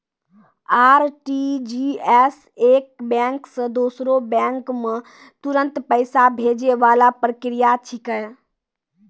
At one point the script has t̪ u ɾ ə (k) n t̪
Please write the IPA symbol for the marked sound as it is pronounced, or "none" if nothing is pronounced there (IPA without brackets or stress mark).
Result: none